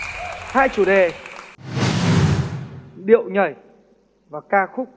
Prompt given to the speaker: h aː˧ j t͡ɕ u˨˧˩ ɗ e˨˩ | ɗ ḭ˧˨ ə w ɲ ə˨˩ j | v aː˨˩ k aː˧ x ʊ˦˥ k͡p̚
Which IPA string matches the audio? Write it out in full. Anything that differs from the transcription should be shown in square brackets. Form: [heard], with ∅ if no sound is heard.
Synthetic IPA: h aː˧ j t͡ɕ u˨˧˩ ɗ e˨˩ | ɗ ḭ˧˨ ə w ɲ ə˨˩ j | v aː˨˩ k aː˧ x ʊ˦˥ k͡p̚